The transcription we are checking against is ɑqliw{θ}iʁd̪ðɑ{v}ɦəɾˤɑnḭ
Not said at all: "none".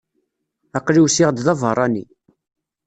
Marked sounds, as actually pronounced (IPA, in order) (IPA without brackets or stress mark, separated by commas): s, v